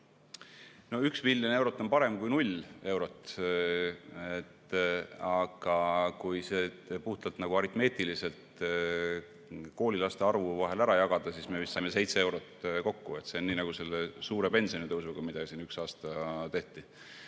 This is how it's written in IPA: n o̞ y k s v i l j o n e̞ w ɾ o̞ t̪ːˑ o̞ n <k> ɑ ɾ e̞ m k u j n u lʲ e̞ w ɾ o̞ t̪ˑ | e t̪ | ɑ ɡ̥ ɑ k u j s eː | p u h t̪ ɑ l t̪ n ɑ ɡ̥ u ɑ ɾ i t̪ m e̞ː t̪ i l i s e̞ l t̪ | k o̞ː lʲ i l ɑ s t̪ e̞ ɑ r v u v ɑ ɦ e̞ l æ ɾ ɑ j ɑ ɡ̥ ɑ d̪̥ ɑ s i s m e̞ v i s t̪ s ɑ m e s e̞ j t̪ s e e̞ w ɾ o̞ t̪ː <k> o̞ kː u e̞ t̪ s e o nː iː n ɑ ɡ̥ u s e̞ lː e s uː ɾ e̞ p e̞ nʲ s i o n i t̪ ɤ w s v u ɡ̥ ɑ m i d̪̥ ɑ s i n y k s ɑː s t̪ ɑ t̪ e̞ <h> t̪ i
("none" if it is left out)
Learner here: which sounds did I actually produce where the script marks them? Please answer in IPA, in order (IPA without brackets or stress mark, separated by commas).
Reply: p, k, h